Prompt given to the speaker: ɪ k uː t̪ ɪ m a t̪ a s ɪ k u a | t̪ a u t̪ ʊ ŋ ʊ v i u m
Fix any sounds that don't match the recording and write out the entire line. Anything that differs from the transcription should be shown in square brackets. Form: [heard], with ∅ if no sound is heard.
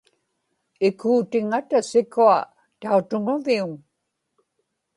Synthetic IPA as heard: ɪ k uː t̪ ɪ [ŋ] a t̪ a s ɪ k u a | t̪ a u t̪ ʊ ŋ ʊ v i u [ŋ]